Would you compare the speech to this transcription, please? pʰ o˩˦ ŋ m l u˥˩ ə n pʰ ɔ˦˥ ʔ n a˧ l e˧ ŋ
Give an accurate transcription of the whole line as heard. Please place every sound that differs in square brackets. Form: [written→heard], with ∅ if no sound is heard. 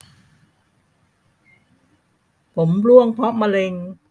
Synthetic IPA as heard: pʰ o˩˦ [ŋ→∅] m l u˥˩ ə [n→ŋ] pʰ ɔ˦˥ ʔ [n→m] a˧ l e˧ ŋ